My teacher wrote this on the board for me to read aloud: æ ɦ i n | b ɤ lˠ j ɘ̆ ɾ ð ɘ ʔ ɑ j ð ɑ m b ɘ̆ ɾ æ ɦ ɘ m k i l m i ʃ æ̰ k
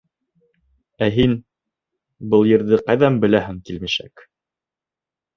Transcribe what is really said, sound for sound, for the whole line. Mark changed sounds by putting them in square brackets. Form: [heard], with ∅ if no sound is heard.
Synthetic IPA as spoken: æ ɦ i n | b ɤ lˠ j ɘ̆ ɾ ð ɘ [q] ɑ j ð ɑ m b ɘ̆ [l] æ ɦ ɘ [ŋ] k i l m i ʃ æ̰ k